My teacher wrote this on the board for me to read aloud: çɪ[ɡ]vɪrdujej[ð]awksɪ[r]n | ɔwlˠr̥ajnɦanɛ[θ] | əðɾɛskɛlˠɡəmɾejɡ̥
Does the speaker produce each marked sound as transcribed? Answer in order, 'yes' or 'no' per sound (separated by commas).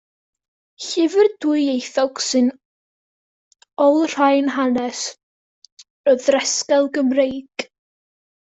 no, no, no, no